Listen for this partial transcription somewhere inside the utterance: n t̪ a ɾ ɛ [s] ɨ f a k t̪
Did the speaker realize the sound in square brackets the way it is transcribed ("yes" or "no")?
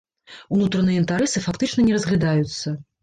yes